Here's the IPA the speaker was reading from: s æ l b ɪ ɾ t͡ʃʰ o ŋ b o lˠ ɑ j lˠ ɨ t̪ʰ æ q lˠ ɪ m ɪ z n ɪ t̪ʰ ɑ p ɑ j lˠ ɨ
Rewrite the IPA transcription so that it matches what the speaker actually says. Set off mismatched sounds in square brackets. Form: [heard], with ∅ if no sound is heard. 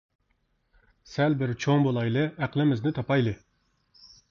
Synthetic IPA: s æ l b ɪ ɾ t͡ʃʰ o ŋ b o lˠ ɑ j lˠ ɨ [∅] æ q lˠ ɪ m ɪ z n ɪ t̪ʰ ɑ p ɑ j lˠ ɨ